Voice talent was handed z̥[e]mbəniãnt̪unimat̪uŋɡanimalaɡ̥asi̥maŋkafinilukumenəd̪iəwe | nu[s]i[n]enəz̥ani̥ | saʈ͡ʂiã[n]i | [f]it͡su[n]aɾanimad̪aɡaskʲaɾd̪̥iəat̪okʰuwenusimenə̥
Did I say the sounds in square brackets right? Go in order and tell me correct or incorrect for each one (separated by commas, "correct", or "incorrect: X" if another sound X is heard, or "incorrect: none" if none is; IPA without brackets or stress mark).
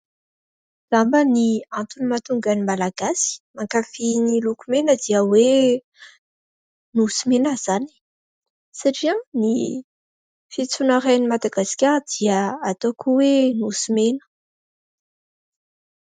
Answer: incorrect: a, correct, incorrect: m, correct, correct, correct